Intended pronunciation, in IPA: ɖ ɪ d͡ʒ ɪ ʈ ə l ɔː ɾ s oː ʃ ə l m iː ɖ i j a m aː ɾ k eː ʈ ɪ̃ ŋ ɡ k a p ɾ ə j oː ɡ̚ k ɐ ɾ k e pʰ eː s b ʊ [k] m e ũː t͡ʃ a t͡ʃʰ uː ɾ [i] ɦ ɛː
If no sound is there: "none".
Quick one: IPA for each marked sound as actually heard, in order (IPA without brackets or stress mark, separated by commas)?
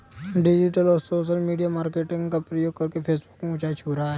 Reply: k, a